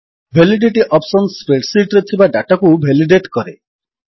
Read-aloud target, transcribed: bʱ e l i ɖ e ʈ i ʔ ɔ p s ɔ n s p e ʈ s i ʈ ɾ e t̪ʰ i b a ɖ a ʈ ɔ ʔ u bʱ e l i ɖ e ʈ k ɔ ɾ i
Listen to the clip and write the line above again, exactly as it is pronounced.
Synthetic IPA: bʱ e l i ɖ e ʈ i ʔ ɔ p s ɔ n s p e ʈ s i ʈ ɾ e t̪ʰ i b a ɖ a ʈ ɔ k u bʱ e l i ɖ e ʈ k ɔ ɾ e